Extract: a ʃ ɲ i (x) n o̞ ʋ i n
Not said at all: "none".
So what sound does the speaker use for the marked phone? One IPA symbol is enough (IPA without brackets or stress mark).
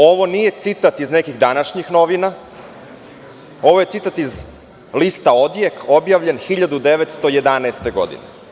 x